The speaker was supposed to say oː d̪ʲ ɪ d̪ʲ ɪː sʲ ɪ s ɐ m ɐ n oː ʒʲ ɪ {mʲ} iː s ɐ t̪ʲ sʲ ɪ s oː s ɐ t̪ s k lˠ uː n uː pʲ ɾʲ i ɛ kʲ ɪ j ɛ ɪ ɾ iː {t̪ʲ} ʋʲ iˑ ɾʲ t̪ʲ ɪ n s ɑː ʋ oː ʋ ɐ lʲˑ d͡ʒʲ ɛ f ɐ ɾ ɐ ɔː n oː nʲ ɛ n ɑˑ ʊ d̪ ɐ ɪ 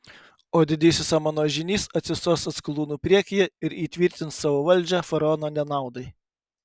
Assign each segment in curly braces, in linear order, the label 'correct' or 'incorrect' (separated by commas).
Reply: incorrect, correct